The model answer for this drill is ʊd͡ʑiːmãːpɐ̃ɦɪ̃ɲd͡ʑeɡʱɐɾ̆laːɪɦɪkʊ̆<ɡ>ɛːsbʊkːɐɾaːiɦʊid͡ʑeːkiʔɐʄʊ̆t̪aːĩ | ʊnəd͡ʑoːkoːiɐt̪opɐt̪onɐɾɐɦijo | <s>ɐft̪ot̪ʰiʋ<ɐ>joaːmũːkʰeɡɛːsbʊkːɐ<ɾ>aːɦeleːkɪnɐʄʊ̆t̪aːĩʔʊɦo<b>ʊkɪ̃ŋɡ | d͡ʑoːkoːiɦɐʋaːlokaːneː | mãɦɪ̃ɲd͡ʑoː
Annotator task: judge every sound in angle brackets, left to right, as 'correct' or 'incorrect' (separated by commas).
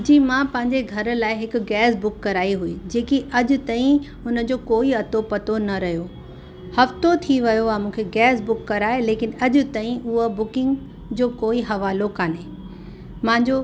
correct, incorrect, correct, correct, correct